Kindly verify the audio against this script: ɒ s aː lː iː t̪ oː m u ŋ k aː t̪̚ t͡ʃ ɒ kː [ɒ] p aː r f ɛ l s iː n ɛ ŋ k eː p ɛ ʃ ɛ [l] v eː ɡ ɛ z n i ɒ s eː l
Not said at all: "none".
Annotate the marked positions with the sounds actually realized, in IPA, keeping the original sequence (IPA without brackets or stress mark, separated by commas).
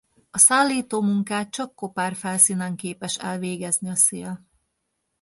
o, l